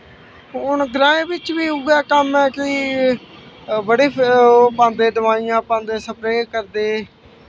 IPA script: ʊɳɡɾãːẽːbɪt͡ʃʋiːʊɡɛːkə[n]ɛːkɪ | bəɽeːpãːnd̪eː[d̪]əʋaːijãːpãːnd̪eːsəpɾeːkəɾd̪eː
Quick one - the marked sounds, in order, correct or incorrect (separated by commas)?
incorrect, correct